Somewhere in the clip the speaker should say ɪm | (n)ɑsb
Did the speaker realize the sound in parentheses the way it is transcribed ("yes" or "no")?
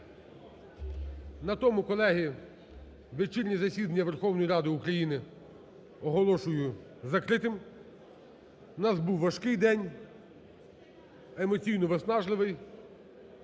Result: yes